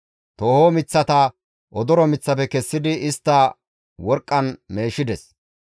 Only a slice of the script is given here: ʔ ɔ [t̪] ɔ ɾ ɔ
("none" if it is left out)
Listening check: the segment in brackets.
d̪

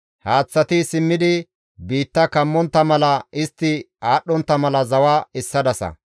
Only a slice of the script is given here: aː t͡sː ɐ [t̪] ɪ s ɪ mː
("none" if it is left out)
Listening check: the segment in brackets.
t̪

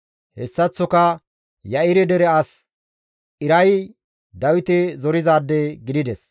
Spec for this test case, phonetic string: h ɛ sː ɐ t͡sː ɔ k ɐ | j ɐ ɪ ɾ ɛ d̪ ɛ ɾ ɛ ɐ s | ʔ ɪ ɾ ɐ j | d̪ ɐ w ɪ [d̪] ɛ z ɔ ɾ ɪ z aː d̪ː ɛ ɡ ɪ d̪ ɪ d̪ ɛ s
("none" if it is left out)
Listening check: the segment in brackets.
t̪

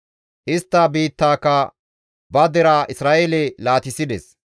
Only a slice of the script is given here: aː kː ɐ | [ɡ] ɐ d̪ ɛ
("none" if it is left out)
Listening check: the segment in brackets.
b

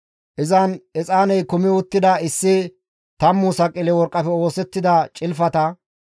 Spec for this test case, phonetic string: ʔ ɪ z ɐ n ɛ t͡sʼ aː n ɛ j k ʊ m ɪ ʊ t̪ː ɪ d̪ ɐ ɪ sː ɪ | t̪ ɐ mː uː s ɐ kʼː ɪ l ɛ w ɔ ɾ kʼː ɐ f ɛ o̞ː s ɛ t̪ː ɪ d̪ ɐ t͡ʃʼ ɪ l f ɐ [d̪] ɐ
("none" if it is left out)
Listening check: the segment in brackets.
t̪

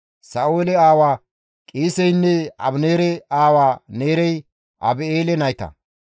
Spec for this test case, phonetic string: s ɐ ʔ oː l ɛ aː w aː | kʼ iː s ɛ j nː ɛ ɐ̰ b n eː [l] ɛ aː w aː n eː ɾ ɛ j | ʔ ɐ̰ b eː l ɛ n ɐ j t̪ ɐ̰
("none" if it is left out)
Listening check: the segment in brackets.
ɾ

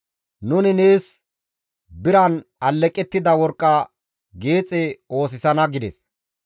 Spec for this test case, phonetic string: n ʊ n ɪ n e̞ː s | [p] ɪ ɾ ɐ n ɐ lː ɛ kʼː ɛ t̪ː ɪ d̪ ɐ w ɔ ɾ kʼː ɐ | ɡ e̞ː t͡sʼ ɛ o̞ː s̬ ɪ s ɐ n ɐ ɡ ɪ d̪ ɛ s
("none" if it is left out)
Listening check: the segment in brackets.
b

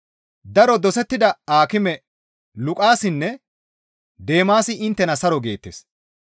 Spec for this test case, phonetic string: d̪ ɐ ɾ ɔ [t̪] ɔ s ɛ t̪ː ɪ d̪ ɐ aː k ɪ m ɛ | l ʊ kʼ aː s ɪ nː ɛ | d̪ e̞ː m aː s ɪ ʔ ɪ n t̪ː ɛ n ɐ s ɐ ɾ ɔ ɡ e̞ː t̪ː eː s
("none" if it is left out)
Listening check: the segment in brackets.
d̪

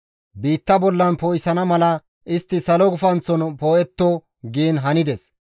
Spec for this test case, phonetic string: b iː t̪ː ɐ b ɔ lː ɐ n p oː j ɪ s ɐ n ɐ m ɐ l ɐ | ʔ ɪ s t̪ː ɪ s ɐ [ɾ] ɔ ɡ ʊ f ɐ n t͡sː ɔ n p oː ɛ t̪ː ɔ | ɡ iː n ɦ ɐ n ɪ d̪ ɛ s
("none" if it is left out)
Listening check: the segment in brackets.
l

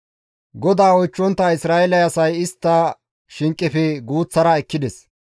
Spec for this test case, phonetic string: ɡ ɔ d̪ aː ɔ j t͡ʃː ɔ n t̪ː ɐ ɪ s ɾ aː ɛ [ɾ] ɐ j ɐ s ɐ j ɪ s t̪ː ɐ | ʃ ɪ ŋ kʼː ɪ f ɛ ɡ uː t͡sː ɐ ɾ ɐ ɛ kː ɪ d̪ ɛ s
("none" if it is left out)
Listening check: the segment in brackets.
l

